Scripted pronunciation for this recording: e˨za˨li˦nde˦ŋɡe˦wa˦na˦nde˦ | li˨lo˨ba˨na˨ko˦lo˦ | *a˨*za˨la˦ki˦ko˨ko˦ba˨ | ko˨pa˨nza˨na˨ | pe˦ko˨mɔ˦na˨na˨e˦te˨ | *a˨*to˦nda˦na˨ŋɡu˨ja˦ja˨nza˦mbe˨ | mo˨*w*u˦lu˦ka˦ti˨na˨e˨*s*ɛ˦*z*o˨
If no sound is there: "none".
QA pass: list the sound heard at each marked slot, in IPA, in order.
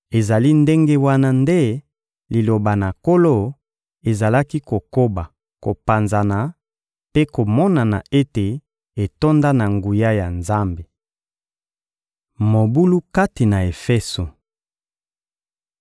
e˨, e˨, b, f, s

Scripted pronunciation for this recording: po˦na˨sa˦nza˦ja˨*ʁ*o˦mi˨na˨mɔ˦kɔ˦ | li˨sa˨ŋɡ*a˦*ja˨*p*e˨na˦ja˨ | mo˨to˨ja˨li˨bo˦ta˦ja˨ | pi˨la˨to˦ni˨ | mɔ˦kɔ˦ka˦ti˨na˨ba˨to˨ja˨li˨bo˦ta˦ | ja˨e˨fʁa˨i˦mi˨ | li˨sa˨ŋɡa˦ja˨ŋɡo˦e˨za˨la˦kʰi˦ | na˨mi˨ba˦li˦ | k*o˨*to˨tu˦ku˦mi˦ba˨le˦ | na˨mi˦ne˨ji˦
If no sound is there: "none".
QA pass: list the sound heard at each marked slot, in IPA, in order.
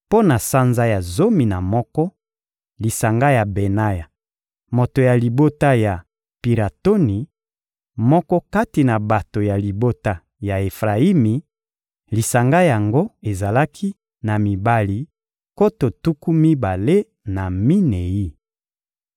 z, a˦, b, o˦

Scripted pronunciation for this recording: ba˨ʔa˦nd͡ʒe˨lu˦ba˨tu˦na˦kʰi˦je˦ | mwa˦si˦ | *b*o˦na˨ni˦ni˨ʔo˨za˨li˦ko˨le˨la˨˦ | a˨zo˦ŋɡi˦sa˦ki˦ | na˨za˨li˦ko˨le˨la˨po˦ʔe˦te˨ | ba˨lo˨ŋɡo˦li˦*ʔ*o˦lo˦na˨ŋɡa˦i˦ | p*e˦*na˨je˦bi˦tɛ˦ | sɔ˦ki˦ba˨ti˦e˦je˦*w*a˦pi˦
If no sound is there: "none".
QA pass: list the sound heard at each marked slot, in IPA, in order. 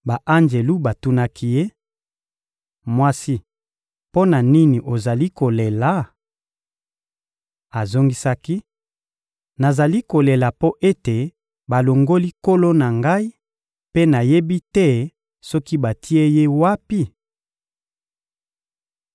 p, k, e˦, w

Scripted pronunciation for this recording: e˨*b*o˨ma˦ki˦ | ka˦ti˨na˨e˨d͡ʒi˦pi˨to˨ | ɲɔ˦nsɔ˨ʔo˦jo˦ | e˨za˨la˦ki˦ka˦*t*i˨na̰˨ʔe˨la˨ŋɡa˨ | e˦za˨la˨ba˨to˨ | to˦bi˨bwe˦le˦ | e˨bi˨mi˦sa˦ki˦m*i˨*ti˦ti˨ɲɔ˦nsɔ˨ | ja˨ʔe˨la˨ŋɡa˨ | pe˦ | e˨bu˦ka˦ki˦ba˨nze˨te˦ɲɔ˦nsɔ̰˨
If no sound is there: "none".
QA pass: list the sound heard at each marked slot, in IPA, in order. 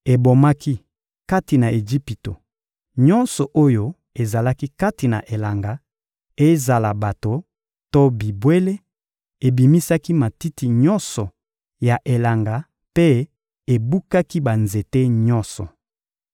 b, t, a˨

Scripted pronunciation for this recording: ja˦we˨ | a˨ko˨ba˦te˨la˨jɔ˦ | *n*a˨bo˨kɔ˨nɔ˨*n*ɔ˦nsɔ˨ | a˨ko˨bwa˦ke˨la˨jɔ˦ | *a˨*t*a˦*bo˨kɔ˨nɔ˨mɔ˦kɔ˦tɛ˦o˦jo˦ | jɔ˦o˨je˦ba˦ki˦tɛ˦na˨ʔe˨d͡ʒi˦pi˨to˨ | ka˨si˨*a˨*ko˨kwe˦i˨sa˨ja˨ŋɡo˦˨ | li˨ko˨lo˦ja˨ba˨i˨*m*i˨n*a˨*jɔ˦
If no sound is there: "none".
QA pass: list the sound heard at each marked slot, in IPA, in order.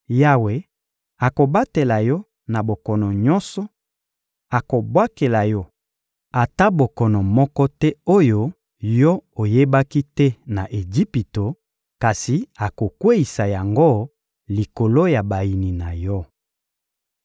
n, ɲ, a˨, a˦, a˨, n, a˨

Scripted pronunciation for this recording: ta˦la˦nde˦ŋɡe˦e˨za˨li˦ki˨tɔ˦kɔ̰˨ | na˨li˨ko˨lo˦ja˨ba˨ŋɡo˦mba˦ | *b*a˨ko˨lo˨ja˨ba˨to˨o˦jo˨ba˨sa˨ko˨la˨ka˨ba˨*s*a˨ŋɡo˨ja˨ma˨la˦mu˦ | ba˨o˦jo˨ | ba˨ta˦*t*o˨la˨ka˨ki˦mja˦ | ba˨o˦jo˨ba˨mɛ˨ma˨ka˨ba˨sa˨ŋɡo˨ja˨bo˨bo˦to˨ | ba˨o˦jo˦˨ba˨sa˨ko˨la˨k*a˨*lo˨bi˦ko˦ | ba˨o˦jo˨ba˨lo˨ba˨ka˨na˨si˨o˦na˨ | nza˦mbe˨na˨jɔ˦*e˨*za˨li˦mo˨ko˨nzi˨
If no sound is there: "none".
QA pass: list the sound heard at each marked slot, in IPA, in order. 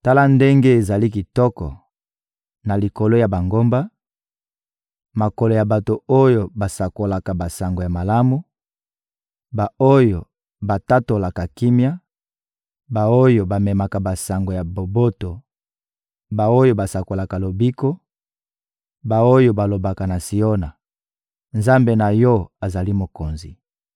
m, s, t, a˨, a˨

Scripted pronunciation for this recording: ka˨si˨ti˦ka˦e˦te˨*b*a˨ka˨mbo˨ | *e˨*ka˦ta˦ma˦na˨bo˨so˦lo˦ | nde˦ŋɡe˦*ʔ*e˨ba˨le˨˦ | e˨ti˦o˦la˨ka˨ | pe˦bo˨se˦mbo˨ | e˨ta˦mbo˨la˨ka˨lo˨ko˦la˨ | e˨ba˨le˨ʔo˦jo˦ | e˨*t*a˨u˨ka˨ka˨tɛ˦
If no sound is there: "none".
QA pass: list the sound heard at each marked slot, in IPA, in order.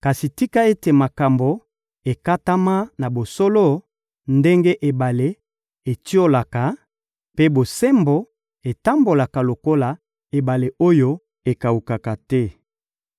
m, e˨, ʔ, k

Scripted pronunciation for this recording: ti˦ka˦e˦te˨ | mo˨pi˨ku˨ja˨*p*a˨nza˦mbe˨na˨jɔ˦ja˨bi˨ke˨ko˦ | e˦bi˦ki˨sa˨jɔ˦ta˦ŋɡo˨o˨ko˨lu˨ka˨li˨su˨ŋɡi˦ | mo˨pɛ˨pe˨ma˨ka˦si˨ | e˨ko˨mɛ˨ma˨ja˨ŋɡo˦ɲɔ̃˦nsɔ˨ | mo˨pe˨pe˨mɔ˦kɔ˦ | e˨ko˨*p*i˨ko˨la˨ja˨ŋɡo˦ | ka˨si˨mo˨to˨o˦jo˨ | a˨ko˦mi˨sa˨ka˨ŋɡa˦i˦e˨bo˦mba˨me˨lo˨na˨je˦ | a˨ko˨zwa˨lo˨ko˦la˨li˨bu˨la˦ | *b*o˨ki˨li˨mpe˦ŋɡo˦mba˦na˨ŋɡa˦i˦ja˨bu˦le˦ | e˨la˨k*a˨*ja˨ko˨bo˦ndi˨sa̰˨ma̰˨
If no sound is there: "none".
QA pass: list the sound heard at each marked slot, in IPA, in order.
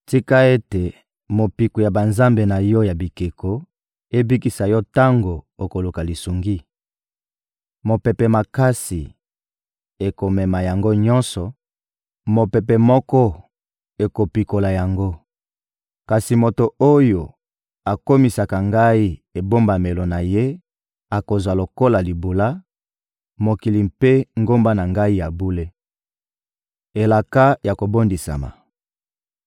b, p, m, a˦

